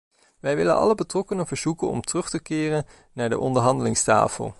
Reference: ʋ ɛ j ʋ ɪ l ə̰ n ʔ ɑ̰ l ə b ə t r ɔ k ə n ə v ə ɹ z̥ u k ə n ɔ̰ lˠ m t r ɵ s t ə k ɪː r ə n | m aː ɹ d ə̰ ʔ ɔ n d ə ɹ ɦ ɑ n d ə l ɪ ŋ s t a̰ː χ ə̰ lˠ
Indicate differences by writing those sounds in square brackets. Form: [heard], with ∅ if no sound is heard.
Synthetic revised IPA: ʋ ɛ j ʋ ɪ l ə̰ n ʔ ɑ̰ l ə b ə t r ɔ k ə n ə v ə ɹ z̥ u k ə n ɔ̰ [∅] m t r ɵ [χ] t ə k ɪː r ə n | [n] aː ɹ d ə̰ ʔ ɔ n d ə ɹ ɦ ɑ n d ə l ɪ ŋ s t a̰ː [f] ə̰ lˠ